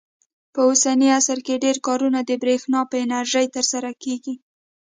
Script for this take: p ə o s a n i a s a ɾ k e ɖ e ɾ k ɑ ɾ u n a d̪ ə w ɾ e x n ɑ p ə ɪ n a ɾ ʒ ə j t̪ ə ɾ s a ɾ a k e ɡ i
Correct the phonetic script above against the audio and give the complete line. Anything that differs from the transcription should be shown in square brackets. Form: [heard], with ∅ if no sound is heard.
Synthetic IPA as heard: p ə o s a n i a s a ɾ k e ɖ e ɾ k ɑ ɾ u n a d̪ ə [b] ɾ e x n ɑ p ə ɪ n a ɾ ʒ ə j t̪ ə ɾ s a ɾ a k e ɡ i